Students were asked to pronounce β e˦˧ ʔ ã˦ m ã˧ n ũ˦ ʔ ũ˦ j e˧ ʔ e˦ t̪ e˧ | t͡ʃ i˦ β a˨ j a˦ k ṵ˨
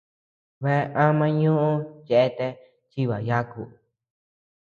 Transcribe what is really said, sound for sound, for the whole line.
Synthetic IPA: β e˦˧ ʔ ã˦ m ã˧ ɲ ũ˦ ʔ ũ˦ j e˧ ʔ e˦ t̪ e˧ | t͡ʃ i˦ β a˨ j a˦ k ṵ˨